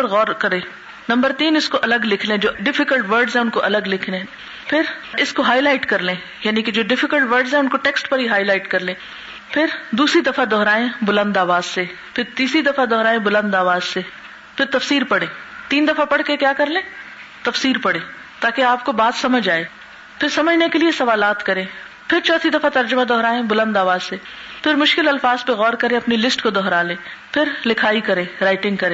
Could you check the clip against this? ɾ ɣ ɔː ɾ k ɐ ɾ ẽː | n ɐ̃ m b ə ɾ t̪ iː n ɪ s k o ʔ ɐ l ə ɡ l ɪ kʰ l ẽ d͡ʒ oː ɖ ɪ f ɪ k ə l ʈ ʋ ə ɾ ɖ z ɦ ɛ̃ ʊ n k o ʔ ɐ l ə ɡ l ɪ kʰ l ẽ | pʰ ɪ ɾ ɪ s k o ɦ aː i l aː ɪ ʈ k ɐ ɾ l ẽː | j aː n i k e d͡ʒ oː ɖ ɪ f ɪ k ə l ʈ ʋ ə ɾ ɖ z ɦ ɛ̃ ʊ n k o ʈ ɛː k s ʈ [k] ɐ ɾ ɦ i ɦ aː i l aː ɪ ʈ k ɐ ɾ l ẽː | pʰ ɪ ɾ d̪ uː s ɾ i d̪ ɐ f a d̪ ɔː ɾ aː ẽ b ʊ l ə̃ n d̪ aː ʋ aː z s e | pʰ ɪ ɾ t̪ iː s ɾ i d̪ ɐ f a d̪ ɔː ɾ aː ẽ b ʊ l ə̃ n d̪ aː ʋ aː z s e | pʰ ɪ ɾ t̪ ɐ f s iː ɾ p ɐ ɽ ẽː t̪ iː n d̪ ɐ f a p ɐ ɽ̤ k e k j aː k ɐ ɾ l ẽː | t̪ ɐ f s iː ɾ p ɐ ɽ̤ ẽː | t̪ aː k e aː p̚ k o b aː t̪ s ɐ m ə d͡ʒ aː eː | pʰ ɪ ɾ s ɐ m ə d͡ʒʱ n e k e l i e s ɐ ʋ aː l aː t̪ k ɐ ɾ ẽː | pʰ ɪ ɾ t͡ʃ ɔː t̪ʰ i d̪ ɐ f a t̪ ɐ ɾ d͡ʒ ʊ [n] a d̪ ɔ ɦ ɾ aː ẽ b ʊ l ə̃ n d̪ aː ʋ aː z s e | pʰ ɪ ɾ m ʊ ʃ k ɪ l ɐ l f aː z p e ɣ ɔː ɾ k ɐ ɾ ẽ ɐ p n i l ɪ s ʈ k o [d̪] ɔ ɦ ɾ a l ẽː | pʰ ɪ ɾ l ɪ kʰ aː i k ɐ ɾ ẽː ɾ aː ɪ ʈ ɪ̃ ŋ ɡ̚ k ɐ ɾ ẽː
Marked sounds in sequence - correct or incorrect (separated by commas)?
incorrect, incorrect, correct